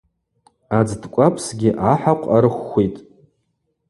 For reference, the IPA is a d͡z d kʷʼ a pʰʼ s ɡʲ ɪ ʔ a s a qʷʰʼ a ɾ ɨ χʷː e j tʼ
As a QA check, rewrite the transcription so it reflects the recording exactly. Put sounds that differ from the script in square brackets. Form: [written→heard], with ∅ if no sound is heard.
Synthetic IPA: a d͡z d kʷʼ a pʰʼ s ɡʲ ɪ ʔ a [s→ħ] a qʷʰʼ a ɾ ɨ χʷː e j tʼ